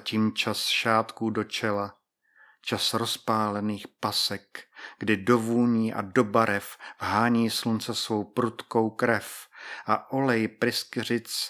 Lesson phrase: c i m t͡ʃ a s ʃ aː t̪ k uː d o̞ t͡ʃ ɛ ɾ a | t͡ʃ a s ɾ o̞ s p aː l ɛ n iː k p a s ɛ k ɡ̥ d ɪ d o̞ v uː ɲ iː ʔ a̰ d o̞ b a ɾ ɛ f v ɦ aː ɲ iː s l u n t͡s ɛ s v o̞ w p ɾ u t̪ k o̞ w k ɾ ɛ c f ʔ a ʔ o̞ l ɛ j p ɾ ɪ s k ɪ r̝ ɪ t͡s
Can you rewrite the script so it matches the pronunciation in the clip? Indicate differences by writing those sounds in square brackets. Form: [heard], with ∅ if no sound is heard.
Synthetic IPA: c i m t͡ʃ a s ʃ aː t̪ k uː d o̞ t͡ʃ ɛ [l] a | t͡ʃ a s ɾ o̞ s p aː l ɛ n iː [x] p a s ɛ k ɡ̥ d ɪ d o̞ v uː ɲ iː ʔ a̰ d o̞ b a ɾ ɛ f v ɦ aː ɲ iː s l u n t͡s ɛ s v o̞ w p ɾ u t̪ k o̞ w k ɾ ɛ [∅] f ʔ a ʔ o̞ l ɛ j p ɾ ɪ s k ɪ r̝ ɪ t͡s